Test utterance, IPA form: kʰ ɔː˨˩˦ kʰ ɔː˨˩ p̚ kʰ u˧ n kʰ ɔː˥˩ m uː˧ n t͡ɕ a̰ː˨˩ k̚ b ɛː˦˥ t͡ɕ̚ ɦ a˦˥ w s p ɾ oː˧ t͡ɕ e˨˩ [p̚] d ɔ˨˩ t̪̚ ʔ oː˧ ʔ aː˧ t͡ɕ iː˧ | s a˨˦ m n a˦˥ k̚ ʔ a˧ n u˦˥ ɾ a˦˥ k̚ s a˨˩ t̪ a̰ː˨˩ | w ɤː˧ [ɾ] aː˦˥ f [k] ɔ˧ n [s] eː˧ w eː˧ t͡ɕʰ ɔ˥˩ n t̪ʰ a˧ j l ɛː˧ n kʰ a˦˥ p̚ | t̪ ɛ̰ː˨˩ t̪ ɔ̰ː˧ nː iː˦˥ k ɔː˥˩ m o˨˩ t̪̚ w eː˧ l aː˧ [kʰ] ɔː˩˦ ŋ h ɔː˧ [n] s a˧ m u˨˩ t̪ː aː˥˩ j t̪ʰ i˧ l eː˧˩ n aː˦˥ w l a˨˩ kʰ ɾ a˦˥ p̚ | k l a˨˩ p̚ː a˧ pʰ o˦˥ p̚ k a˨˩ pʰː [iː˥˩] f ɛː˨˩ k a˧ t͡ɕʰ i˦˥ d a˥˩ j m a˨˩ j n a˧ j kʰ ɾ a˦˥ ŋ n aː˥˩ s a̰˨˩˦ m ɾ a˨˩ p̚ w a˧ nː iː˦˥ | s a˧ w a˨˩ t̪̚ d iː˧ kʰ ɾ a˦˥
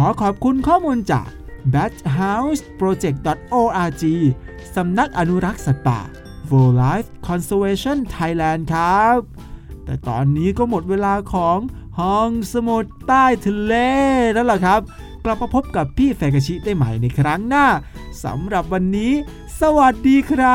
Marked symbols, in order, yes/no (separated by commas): no, no, no, yes, yes, no, yes